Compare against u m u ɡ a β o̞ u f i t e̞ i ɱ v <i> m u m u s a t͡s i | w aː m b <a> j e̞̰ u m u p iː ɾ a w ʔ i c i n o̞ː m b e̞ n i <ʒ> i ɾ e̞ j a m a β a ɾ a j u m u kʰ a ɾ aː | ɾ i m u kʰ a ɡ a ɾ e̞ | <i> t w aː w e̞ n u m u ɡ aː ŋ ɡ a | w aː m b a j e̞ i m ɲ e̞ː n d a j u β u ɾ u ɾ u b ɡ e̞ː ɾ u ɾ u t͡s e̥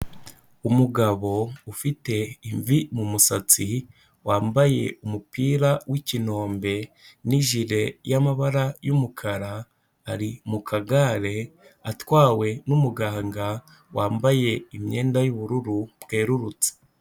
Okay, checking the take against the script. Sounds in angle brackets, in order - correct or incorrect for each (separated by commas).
correct, correct, correct, incorrect